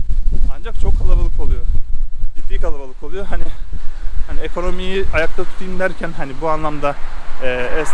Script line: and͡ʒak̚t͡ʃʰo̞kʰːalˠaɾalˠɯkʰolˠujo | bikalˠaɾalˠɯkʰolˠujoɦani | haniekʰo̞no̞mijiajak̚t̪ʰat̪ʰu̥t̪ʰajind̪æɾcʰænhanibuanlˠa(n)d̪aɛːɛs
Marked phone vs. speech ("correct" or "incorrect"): incorrect